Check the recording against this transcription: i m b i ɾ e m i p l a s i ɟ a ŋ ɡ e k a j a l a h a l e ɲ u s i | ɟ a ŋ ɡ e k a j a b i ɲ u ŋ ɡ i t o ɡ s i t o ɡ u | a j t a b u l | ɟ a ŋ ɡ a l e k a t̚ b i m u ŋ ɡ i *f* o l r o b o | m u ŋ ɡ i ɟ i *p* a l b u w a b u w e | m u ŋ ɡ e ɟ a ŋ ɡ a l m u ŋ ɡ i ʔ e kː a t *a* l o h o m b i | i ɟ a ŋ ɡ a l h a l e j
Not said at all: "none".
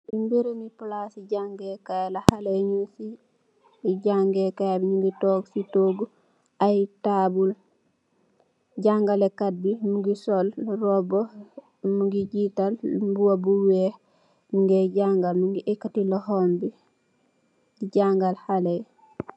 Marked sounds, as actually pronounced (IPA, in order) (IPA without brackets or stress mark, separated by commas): s, t, i